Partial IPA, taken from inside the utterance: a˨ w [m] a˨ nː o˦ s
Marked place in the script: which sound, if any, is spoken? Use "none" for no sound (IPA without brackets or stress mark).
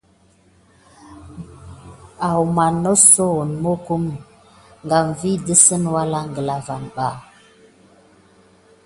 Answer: m